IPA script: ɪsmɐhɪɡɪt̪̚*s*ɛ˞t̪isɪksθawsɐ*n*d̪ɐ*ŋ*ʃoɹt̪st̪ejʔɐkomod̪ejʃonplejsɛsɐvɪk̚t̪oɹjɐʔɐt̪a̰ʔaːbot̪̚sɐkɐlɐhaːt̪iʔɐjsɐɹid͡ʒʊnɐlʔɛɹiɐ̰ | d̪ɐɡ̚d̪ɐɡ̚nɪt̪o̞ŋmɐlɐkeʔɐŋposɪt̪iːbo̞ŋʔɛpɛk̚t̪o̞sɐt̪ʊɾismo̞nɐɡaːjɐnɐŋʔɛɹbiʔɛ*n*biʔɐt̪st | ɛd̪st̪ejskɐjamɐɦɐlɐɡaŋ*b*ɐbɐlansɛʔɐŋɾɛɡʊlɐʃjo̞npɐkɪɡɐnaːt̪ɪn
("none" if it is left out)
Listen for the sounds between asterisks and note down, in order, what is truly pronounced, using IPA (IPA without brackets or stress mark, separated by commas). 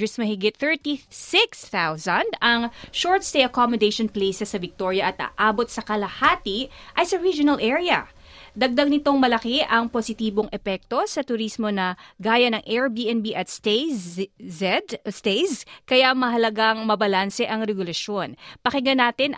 θ, n, ŋ, n, m